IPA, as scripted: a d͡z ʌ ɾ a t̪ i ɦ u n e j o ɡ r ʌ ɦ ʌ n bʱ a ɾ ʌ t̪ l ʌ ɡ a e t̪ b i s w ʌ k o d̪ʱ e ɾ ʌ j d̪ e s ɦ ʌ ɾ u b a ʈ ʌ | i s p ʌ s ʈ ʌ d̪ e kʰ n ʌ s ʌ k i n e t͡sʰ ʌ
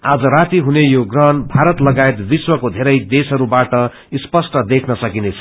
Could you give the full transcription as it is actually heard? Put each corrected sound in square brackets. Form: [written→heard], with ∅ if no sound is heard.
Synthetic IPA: a d͡z ʌ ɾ a t̪ i ɦ u n e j o ɡ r ʌ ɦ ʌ n bʱ a ɾ ʌ t̪ l ʌ ɡ a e t̪ b i s w ʌ k o d̪ʱ e ɾ ʌ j d̪ e s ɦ ʌ ɾ u b a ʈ ʌ | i s p ʌ s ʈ ʌ d̪ e kʰ n ʌ s ʌ k i n e t͡sʰ ʌ

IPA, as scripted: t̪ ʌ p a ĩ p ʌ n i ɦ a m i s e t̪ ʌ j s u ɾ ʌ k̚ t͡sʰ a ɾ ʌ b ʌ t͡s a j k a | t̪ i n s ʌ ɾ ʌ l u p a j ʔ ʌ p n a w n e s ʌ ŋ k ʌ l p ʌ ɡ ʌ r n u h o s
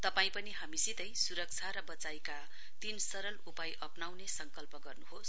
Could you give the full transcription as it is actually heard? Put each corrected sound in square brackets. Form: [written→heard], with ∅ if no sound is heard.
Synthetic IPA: t̪ ʌ p a ĩ p ʌ n i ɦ a m i s [e→i] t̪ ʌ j s u ɾ ʌ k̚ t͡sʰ a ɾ ʌ b ʌ t͡s a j k a | t̪ i n s ʌ ɾ ʌ l u p a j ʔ ʌ p n a w n e s ʌ ŋ k ʌ l p ʌ ɡ ʌ r n u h o s

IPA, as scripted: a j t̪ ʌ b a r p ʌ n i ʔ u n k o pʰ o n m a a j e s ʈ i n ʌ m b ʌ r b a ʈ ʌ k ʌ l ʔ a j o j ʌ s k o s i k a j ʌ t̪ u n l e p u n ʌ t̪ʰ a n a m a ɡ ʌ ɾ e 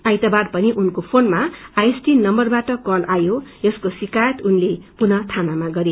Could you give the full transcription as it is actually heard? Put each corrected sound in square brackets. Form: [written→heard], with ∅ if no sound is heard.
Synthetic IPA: a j t̪ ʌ b a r p ʌ n i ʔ u n k o pʰ o n m a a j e s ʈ i n ʌ m b ʌ r b a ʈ ʌ k ʌ l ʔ a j o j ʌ s k o s i k a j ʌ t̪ u n l e p u n ʌ t̪ʰ a n a m a ɡ ʌ ɾ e

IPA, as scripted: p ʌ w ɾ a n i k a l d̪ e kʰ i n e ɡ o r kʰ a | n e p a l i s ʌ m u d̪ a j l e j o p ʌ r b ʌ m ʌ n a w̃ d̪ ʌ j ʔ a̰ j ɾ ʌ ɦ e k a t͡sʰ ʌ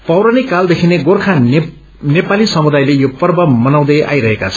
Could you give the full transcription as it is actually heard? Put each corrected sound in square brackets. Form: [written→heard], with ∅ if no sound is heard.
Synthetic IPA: p ʌ w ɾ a n i k a l d̪ e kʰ i n e ɡ o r kʰ a | n e p a l i s ʌ m u d̪ a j l e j o p ʌ r b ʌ m ʌ n a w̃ d̪ ʌ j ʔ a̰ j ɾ ʌ ɦ e k a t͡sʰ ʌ

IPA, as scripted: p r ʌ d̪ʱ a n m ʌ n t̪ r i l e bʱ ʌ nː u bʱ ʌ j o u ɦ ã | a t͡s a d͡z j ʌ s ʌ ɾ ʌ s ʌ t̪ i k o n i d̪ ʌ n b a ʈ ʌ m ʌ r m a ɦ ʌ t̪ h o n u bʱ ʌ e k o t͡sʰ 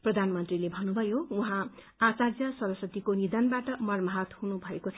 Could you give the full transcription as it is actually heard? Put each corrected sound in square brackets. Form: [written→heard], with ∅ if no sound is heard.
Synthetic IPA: p r ʌ d̪ʱ a n m ʌ n t̪ r i l e bʱ ʌ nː u bʱ ʌ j o u ɦ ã | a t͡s a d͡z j ʌ s ʌ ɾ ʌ s ʌ t̪ i k o n i d̪ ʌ n b a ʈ ʌ m ʌ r m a ɦ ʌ t̪ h [o→u] n u bʱ ʌ e k o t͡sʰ

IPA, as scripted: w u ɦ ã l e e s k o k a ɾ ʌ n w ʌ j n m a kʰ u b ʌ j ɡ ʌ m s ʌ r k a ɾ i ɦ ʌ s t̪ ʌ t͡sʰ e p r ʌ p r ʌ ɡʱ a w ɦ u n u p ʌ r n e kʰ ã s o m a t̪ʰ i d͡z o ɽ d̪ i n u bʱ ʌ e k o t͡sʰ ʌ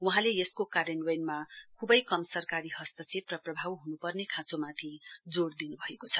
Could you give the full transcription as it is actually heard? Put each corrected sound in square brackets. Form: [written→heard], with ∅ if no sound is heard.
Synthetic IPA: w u ɦ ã l e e s k o k a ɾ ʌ n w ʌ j n m a kʰ u b ʌ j [ɡ→k] ʌ m s ʌ r k a ɾ i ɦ ʌ s t̪ ʌ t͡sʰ e p r ʌ p r ʌ [ɡʱ→bʱ] a w ɦ u n u p ʌ r n e kʰ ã [s→t͡s] o m a t̪ʰ i d͡z o ɽ d̪ i n u bʱ ʌ e k o t͡sʰ ʌ

